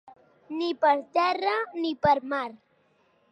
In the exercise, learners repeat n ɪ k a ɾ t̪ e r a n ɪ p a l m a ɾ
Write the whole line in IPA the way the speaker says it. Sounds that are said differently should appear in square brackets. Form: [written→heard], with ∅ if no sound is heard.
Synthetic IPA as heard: n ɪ [k→p] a ɾ t̪ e r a n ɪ p a [l→ɾ] m a ɾ